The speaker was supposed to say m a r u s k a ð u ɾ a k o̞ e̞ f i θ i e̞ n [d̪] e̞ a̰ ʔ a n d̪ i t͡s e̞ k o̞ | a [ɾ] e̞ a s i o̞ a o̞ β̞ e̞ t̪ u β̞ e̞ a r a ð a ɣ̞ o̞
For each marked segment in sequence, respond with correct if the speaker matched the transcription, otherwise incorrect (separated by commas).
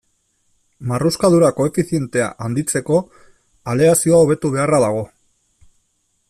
incorrect, incorrect